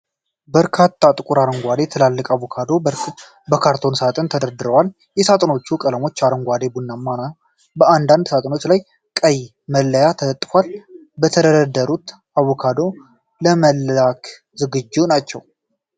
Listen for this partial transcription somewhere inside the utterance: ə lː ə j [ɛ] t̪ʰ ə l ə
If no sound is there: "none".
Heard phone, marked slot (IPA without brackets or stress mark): a